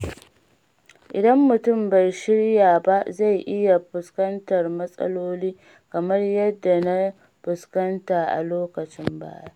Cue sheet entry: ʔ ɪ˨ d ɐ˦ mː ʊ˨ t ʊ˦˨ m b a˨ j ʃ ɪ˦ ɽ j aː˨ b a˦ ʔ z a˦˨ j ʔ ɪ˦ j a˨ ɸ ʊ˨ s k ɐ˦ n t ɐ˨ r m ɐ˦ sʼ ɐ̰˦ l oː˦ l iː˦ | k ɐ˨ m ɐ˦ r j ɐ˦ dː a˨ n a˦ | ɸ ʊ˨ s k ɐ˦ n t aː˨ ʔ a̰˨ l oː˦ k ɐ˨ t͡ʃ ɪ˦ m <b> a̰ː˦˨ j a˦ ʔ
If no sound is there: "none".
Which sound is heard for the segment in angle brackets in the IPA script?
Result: b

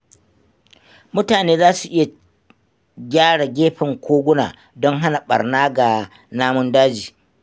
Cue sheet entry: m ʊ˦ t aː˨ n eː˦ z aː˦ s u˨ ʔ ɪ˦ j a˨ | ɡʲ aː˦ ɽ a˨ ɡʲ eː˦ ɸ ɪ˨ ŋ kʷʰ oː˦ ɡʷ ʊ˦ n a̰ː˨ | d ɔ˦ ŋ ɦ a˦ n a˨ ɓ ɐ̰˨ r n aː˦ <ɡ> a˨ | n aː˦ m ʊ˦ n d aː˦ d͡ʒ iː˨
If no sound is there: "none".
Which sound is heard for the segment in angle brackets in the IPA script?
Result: ɡ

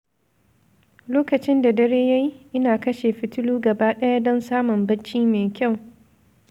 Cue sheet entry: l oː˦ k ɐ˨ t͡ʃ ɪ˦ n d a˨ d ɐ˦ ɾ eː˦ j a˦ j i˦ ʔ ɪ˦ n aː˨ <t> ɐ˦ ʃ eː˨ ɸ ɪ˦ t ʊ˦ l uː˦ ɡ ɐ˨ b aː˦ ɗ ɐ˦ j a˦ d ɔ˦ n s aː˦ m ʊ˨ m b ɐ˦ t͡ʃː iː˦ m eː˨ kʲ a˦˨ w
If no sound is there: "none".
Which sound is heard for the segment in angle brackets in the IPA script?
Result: k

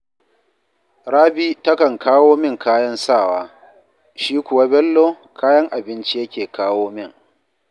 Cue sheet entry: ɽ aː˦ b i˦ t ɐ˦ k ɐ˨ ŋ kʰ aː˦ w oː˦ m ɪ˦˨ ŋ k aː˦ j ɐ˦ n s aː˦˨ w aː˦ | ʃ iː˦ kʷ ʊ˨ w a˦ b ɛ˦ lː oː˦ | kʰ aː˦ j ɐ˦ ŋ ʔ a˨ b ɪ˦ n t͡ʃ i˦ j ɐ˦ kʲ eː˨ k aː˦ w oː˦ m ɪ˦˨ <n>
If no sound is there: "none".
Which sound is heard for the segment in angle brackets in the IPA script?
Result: ŋ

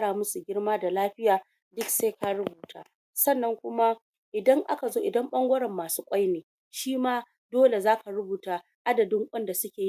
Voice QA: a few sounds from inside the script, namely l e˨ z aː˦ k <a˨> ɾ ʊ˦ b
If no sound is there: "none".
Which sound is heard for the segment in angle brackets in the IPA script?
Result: a˨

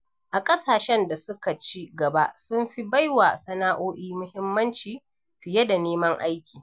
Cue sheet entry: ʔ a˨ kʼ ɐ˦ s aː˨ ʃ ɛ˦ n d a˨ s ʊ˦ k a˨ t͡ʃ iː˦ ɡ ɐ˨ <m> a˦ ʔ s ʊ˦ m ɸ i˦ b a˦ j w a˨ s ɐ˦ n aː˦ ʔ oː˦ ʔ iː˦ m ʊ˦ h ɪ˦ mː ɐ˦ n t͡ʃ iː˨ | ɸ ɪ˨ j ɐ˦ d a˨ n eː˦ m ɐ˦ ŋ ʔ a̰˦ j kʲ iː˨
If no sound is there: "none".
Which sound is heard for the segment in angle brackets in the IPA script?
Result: b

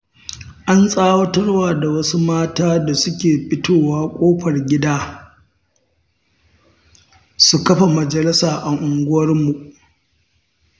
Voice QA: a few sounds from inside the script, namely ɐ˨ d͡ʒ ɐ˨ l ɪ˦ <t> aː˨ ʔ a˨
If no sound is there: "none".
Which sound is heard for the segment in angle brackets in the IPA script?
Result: s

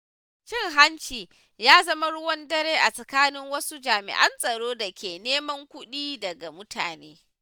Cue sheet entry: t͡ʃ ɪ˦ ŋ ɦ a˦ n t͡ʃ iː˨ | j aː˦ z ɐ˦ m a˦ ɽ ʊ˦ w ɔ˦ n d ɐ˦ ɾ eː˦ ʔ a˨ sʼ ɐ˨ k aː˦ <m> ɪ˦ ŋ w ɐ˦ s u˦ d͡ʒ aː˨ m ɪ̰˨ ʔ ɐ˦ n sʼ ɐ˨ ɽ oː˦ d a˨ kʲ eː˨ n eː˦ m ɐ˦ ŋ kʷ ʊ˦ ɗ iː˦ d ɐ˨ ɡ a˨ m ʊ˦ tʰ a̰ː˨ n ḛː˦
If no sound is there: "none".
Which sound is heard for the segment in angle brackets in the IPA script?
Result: n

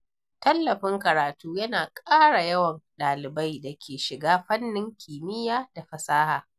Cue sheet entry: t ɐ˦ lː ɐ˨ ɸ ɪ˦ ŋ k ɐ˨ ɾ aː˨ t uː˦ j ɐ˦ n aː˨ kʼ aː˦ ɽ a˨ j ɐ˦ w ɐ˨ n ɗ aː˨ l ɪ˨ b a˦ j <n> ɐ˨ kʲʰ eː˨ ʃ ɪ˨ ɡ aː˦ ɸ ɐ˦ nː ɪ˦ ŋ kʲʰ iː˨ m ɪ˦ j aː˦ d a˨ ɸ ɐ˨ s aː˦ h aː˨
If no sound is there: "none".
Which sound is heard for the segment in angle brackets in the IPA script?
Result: d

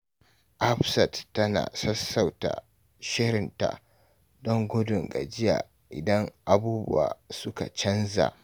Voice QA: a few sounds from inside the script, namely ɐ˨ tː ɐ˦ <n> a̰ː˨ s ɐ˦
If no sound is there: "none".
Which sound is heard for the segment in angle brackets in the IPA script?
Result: n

